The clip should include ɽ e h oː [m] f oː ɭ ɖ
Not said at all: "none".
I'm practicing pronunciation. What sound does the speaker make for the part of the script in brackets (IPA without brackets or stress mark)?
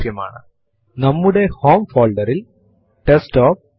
m